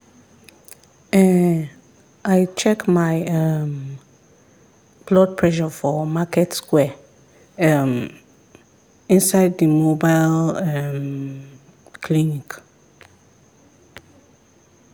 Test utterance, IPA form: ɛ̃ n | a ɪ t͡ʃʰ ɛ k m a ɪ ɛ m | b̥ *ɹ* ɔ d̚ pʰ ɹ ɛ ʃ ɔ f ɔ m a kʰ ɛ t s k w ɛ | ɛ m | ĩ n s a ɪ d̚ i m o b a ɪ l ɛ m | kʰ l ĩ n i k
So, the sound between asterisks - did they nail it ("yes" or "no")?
no